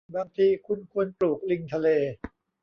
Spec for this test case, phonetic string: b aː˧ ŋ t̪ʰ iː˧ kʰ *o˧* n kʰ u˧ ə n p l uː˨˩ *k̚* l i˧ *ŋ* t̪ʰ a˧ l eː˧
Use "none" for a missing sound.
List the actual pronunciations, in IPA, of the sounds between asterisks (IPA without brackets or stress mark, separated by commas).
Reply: u˧, k̚, ŋ